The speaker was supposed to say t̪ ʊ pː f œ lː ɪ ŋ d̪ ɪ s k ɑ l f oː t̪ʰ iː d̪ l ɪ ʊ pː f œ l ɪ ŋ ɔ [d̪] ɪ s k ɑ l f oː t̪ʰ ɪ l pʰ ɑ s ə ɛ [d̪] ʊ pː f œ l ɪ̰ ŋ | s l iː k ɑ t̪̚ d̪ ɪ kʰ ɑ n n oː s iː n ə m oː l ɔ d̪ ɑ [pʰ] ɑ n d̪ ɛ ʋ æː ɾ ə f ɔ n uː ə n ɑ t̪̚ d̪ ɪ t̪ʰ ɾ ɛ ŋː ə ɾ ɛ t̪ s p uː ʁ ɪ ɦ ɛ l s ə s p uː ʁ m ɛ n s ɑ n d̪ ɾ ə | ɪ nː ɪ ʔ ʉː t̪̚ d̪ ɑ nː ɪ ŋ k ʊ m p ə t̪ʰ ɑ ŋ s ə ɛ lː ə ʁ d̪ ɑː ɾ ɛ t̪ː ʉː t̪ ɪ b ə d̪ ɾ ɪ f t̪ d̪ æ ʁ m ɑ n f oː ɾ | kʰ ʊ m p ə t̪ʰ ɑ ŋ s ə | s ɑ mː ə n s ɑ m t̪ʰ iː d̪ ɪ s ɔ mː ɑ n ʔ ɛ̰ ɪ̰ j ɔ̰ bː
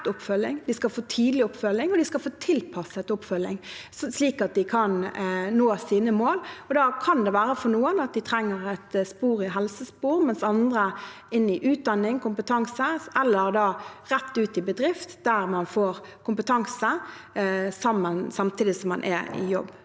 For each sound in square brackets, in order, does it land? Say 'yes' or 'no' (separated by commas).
yes, no, no